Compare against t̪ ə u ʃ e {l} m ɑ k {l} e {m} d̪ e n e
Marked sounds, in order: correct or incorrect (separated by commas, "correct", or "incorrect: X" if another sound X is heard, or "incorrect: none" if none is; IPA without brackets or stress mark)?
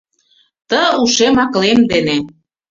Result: incorrect: none, correct, correct